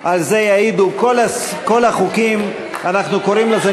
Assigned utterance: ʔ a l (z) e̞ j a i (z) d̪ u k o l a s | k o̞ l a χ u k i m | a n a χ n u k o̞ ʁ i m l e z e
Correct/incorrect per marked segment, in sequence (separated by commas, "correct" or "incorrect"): correct, incorrect